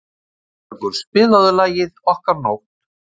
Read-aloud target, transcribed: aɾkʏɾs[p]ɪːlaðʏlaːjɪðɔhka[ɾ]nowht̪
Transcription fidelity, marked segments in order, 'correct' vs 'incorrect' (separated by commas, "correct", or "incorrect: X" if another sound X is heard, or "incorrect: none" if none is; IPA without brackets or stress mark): correct, correct